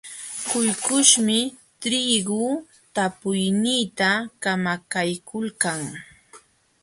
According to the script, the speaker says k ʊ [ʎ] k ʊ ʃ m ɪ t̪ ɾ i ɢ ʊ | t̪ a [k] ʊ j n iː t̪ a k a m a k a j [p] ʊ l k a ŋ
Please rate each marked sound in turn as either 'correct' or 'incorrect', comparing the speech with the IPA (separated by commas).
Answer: incorrect, incorrect, incorrect